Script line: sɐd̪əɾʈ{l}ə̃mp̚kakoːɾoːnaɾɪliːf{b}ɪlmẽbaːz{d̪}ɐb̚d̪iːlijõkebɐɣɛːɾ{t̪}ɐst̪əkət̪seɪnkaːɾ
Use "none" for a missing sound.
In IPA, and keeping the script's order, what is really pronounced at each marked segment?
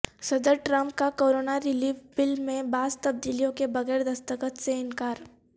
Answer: ɾ, b, t̪, d̪

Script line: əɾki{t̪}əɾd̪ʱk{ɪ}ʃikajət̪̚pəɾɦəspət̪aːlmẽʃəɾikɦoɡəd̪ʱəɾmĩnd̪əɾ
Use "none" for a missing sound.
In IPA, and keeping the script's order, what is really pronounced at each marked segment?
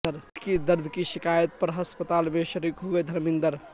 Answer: d̪, i

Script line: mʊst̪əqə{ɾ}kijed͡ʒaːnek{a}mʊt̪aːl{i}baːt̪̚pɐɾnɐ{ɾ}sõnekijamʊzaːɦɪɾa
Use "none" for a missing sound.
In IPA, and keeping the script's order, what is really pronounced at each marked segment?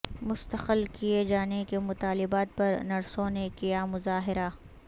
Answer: l, e, ɪ, ɾ

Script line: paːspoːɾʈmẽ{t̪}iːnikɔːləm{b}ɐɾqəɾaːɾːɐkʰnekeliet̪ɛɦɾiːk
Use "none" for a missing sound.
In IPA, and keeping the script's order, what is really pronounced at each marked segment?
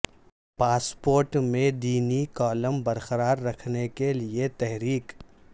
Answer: d̪, b

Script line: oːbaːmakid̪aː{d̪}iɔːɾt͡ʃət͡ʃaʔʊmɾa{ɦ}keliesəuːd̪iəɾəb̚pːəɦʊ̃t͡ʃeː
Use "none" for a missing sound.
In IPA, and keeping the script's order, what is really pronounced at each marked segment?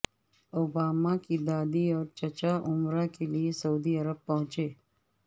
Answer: d̪, none

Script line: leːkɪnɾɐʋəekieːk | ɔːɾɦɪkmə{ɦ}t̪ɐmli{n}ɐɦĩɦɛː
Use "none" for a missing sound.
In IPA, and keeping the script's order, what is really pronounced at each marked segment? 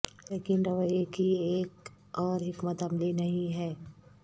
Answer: none, n

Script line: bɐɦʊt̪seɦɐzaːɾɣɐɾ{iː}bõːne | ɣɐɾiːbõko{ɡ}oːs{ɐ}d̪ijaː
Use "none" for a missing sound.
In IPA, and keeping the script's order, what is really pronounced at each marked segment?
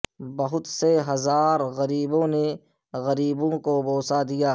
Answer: iː, b, a

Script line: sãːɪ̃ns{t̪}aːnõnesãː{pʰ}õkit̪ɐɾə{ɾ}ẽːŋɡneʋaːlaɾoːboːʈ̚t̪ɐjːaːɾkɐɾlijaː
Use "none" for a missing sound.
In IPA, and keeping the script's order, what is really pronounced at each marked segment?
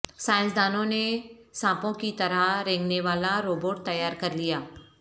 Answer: d̪, p, ɾ

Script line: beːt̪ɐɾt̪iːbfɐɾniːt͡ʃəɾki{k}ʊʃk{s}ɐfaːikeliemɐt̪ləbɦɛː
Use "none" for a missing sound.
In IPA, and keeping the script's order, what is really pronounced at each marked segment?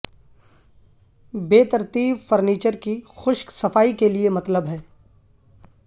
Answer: x, s

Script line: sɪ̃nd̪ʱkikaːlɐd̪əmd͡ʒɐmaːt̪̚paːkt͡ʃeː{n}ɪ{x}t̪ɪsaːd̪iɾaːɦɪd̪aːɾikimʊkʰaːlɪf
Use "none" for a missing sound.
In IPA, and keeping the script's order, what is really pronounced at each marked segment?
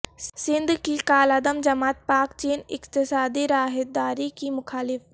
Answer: n, k

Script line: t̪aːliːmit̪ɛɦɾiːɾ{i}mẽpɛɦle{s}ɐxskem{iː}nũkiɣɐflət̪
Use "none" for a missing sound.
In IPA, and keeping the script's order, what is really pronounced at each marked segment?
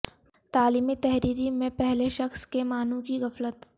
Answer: i, ʃ, aː

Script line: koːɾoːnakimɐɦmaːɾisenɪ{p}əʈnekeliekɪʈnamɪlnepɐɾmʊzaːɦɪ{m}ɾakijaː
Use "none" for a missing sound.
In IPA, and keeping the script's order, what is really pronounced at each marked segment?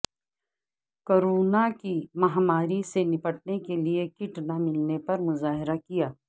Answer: p, none

